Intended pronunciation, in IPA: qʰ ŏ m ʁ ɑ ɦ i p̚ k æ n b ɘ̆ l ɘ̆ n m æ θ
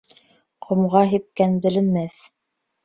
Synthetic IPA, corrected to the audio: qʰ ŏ m ʁ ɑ ɦ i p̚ k æ n b ɘ̆ l ɘ̆ n m æ θ